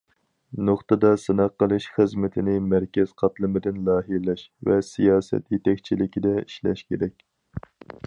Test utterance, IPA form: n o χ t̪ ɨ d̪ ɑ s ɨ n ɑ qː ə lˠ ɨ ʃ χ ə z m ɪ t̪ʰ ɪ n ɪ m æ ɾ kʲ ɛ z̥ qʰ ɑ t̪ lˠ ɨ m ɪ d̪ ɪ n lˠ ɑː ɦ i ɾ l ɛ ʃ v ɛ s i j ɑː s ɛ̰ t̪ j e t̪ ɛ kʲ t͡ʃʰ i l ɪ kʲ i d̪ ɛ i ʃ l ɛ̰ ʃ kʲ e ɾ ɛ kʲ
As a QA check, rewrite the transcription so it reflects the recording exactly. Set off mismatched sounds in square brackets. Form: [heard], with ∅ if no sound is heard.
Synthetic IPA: n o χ t̪ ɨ d̪ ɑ s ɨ n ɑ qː ə lˠ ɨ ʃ χ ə z m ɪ t̪ʰ ɪ n ɪ m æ ɾ kʲ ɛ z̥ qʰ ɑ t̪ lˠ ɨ m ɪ d̪ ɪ n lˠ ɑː ɦ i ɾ l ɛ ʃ v ɛ s i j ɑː s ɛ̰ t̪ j e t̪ ɛ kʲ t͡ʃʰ i l ɪ kʲ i d̪ ɛ i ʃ l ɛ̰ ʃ kʲ e ɾ ɛ kʲ